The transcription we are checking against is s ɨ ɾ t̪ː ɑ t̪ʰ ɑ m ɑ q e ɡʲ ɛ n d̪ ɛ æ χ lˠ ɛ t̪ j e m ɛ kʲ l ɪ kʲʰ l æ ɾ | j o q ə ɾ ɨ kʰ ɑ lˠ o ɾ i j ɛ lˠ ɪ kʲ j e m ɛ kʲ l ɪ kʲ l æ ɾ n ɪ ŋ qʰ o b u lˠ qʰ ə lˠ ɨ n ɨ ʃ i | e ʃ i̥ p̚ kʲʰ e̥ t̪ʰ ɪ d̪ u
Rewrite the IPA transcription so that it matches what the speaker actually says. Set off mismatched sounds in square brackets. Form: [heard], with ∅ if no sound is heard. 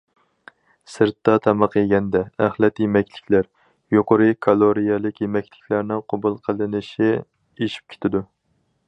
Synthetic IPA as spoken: s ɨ ɾ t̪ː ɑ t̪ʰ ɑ m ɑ q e ɡʲ ɛ n d̪ ɛ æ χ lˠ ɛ t̪ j e m ɛ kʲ l ɪ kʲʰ l æ ɾ | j o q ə ɾ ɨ kʰ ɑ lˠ o ɾ i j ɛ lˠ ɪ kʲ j e m ɛ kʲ l ɪ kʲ l æ ɾ n ɪ ŋ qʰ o b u lˠ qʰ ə lˠ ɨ n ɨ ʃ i | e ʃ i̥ p̚ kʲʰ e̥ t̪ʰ ɪ d̪ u

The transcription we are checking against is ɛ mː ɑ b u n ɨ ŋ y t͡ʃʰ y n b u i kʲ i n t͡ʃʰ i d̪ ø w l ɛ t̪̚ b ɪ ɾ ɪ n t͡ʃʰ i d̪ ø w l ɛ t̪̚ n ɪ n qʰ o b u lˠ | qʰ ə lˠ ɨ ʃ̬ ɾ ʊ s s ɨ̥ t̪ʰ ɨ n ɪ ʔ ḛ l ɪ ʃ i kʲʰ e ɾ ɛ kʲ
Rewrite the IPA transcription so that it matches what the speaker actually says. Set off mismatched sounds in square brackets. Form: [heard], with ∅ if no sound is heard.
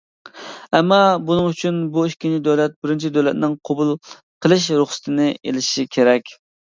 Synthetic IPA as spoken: ɛ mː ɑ b u n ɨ ŋ y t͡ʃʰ y n b u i kʲ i n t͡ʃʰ i d̪ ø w l ɛ t̪̚ b ɪ ɾ ɪ n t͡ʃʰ i d̪ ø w l ɛ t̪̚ n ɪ [ŋ] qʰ o b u lˠ | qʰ ə lˠ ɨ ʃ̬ ɾ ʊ [χ] s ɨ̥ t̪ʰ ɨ n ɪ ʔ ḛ l ɪ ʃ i kʲʰ e ɾ ɛ kʲ

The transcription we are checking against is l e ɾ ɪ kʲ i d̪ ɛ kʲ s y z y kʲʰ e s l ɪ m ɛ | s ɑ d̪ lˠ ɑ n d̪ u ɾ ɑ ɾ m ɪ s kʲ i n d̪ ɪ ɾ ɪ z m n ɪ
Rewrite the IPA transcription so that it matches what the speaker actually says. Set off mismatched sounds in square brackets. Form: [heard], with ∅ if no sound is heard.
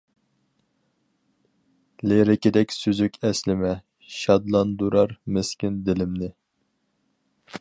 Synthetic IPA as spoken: l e ɾ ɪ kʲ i d̪ ɛ kʲ s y z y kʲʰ [ɛ] s l ɪ m ɛ | [ʃ] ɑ d̪ lˠ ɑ n d̪ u ɾ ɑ ɾ m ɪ s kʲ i n d̪ ɪ [l] ɪ [∅] m n ɪ

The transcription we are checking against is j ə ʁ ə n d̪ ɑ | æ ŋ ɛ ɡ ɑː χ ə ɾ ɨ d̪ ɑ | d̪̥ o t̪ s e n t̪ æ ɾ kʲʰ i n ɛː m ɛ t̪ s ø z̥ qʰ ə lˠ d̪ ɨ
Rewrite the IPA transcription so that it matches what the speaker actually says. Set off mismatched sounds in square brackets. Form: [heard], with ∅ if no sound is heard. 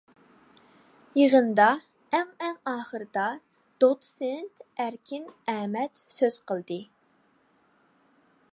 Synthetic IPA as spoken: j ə ʁ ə n d̪ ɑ | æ ŋ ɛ [ŋ] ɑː χ ə ɾ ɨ d̪ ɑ | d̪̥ o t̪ s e n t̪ æ ɾ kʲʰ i n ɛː m ɛ t̪ s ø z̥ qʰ ə lˠ d̪ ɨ

